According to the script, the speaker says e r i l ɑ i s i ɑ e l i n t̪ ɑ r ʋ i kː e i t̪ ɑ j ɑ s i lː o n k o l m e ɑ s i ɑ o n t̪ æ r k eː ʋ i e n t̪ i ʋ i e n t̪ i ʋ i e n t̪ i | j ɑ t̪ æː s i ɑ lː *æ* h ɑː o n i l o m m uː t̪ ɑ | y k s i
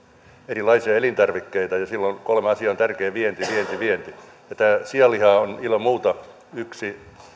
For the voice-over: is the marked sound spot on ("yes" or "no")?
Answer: no